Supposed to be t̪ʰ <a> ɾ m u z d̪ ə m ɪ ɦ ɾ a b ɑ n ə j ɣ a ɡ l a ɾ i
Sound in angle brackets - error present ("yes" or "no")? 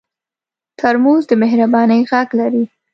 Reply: no